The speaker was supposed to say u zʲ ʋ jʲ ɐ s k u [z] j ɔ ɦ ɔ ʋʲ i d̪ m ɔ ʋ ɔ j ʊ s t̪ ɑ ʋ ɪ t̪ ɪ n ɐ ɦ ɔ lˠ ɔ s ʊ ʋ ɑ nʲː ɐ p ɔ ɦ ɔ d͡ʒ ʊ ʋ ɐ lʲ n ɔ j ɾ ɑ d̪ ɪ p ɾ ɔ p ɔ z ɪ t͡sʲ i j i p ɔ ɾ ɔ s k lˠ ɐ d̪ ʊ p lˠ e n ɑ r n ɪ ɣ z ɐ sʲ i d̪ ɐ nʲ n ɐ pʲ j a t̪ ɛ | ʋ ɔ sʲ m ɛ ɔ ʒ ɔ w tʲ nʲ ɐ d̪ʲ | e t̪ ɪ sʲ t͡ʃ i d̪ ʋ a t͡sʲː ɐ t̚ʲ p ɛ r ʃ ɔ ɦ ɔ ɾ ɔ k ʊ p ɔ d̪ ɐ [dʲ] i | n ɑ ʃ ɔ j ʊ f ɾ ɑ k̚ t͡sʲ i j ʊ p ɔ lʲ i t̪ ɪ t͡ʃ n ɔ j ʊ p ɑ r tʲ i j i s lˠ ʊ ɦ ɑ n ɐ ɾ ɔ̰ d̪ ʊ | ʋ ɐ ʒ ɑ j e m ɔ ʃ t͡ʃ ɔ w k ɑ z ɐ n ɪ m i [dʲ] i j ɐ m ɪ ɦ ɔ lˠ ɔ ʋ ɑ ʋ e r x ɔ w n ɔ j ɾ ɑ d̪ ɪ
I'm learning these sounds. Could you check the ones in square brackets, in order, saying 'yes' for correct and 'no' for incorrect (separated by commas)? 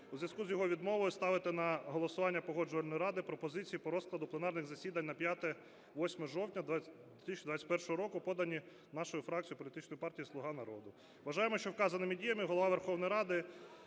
yes, no, yes